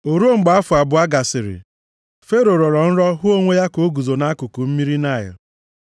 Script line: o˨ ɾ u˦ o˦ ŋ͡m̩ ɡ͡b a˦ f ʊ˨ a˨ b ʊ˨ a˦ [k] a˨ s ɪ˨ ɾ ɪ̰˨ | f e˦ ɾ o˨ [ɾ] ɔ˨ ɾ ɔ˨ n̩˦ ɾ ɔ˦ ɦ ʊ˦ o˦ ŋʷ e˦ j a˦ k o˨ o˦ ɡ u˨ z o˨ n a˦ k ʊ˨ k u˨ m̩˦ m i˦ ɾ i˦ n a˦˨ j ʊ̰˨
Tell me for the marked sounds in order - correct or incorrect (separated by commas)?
incorrect, correct